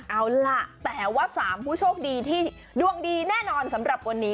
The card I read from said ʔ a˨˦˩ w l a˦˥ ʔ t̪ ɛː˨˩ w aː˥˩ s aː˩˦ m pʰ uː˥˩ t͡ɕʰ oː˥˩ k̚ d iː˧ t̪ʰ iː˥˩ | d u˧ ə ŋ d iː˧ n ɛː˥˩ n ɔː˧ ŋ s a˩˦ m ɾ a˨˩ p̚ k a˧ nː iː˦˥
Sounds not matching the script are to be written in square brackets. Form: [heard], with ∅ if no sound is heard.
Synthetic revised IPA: ʔ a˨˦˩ w l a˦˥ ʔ t̪ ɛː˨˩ w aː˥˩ s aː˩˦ m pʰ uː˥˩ t͡ɕʰ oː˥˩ k̚ d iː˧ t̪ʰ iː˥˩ | d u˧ ə ŋ d iː˧ n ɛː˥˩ n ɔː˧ [n] s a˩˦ m ɾ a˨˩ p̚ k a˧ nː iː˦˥